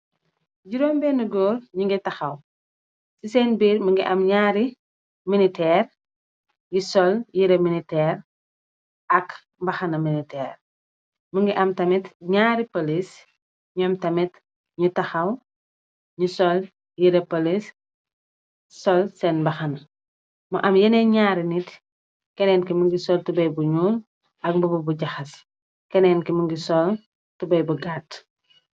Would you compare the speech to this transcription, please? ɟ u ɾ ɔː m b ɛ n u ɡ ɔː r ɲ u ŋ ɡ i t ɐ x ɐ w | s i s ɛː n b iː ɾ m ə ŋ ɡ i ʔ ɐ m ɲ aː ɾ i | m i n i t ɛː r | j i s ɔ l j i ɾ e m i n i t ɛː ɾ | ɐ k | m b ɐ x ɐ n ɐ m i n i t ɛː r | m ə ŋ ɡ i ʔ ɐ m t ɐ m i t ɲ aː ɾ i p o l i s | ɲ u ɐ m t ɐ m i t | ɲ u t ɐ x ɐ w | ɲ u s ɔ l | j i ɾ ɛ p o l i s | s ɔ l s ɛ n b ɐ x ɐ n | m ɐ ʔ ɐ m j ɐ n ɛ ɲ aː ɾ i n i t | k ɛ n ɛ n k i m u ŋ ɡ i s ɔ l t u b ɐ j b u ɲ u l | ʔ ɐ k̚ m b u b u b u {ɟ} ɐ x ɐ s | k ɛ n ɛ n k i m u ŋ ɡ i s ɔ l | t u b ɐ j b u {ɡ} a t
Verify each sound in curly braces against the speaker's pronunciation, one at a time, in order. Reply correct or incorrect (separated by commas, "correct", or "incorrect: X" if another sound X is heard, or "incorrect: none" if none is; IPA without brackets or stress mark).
correct, correct